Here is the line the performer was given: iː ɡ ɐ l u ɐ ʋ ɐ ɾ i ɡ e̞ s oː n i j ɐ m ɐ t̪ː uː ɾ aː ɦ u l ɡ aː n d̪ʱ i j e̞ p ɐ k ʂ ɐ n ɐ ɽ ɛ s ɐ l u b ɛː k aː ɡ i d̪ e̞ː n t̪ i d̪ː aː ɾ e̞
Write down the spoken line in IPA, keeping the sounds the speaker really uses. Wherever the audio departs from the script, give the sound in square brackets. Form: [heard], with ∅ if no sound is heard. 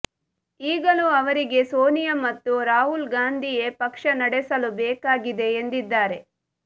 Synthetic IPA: iː ɡ ɐ l u ɐ ʋ ɐ ɾ i ɡ e̞ s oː n i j ɐ m ɐ t̪ː [u] ɾ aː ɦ u l ɡ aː n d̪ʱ i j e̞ p ɐ k ʂ ɐ n ɐ ɽ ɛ s ɐ l u b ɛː k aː ɡ i d̪ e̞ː n [d̪] i d̪ː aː ɾ e̞